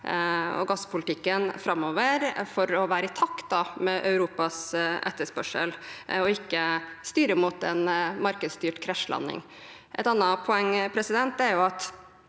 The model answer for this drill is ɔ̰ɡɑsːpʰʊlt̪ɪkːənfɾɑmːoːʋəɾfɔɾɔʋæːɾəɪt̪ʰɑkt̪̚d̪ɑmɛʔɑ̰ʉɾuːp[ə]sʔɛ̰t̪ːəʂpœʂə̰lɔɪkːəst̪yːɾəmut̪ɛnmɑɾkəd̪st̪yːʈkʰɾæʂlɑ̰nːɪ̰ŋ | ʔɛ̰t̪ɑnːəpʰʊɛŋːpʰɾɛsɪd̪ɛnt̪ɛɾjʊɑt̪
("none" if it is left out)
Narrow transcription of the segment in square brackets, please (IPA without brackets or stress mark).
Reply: ɑ